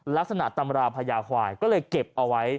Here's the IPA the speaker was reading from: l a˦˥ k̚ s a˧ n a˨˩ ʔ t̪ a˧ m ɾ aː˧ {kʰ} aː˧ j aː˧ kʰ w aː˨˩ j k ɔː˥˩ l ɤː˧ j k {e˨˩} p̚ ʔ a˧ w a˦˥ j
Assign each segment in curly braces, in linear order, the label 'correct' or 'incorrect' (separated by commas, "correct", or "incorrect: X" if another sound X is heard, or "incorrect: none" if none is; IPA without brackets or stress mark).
incorrect: pʰ, correct